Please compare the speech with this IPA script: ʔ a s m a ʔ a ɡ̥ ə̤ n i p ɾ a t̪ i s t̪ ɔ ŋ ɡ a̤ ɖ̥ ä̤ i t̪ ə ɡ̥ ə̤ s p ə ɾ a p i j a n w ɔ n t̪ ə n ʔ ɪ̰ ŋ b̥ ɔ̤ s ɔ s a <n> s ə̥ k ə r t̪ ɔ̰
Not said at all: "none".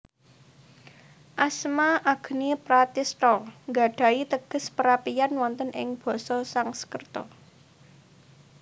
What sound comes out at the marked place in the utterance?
ŋ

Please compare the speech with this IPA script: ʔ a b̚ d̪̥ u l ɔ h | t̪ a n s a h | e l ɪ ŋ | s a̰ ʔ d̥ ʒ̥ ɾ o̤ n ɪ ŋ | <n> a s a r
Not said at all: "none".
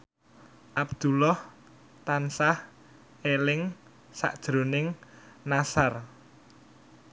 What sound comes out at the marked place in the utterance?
n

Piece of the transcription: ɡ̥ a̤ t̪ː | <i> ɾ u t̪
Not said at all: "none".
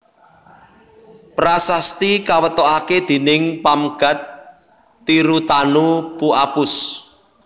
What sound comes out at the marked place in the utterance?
i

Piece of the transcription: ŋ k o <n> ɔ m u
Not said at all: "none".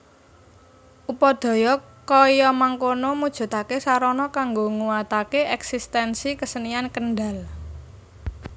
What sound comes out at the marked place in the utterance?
n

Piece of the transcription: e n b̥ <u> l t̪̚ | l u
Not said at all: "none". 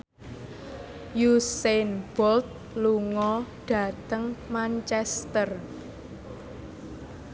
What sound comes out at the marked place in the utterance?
ɔ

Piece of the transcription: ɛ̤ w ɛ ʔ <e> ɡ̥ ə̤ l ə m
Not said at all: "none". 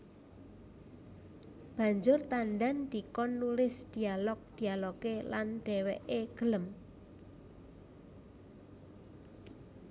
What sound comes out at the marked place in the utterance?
e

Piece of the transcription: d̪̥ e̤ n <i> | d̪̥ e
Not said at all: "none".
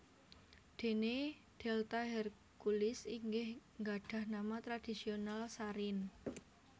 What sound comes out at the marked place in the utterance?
e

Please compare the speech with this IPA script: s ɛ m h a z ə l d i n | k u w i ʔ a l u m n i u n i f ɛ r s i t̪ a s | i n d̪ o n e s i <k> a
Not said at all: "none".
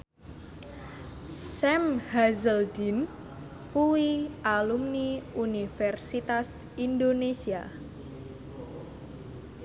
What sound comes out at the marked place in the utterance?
none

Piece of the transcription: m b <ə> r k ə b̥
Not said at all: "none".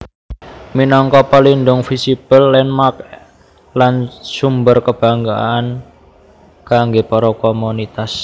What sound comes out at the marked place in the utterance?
ə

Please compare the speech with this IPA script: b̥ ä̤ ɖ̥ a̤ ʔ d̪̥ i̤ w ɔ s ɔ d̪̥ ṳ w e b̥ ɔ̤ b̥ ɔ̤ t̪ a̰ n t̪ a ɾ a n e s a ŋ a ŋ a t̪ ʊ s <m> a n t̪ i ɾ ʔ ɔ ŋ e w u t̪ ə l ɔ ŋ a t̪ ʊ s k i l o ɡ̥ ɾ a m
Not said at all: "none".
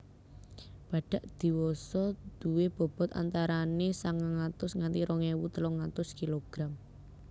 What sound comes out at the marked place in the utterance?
ŋ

